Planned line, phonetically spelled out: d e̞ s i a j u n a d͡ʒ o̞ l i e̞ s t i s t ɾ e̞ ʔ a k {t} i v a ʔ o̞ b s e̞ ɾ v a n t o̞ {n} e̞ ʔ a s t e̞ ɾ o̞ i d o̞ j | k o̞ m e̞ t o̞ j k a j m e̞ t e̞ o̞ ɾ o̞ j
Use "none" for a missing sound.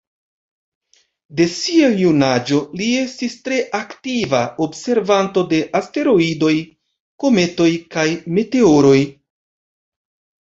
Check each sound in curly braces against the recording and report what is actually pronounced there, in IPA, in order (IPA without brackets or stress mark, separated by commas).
t, d